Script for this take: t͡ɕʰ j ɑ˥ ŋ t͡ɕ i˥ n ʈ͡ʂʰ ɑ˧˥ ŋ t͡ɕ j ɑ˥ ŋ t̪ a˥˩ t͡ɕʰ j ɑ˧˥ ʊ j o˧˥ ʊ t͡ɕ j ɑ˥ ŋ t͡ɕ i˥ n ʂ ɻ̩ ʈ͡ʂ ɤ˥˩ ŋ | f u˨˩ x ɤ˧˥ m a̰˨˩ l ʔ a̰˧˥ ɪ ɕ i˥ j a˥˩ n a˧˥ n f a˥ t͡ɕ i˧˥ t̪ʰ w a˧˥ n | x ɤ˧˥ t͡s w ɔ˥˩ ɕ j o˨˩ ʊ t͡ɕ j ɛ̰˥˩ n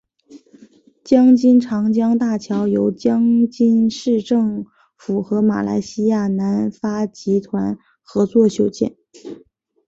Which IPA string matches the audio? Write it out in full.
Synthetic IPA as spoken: t͡ɕ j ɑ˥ ŋ t͡ɕ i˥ n ʈ͡ʂʰ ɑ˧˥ ŋ t͡ɕ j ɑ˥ ŋ t̪ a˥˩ t͡ɕʰ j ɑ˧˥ ʊ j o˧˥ ʊ t͡ɕ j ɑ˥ ŋ t͡ɕ i˥ n ʂ ɻ̩ ʈ͡ʂ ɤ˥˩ ŋ | f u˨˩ x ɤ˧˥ m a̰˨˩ l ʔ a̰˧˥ ɪ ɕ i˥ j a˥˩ n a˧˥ n f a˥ t͡ɕ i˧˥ t̪ʰ w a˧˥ n | x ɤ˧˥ t͡s w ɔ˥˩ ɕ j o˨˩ ʊ t͡ɕ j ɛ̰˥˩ n